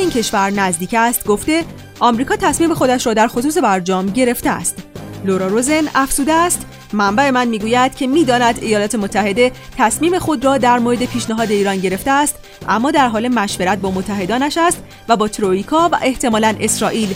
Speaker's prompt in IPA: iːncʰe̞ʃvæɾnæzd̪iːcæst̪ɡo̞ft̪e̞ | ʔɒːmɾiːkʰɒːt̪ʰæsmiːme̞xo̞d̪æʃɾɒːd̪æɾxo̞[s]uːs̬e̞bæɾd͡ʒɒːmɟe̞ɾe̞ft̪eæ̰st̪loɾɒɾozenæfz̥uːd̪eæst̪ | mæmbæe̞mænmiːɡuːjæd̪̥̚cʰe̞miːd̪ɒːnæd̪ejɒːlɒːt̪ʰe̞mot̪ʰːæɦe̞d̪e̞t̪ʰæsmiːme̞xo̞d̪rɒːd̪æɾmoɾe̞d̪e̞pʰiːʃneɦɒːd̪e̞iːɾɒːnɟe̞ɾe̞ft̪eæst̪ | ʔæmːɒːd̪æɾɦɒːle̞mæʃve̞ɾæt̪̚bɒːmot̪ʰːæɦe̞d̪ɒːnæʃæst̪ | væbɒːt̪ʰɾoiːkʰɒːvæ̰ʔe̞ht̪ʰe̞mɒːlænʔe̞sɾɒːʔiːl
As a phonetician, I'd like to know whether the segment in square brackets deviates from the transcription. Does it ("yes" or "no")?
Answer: no